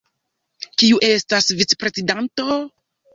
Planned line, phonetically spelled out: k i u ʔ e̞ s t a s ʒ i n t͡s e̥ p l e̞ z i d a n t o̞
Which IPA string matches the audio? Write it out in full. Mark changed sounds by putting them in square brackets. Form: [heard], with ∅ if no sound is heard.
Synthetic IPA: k i u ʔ e̞ s t a s [v] i [∅] t͡s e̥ p [ɾ] e̞ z i d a n t o̞